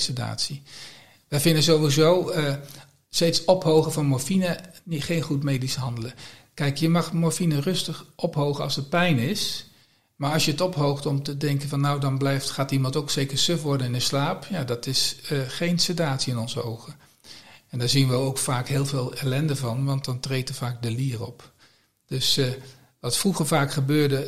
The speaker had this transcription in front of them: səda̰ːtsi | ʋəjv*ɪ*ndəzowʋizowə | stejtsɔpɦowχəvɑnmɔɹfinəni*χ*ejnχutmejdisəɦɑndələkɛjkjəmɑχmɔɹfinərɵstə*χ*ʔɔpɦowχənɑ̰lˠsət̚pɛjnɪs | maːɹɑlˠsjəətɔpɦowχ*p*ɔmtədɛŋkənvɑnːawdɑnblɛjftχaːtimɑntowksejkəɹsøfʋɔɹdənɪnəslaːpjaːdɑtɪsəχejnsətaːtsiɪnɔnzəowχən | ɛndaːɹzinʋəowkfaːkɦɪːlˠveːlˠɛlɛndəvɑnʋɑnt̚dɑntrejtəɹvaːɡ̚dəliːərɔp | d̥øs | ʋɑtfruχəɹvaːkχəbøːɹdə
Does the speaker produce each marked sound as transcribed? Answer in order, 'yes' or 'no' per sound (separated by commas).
yes, yes, yes, no